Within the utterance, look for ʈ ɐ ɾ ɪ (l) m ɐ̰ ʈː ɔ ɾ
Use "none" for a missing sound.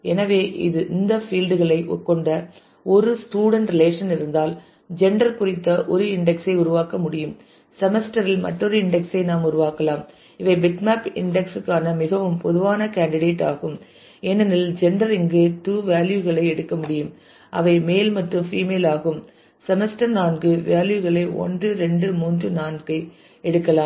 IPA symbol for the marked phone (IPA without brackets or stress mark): l